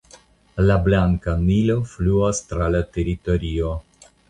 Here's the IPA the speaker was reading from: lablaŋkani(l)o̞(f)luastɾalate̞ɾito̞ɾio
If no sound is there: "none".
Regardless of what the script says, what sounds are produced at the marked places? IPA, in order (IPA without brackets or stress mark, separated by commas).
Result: l, f